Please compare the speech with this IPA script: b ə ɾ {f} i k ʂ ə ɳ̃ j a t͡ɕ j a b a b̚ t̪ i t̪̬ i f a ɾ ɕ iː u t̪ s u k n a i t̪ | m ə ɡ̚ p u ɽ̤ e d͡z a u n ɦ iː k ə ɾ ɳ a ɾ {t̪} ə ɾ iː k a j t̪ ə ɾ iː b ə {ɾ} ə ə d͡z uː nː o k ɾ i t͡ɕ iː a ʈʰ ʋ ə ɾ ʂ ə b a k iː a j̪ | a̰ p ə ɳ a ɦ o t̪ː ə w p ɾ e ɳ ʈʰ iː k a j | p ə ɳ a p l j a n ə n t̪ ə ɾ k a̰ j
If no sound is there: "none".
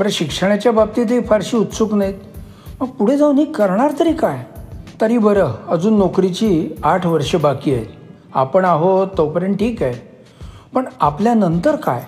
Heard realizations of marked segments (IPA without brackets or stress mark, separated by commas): ɕ, t̪, ɾ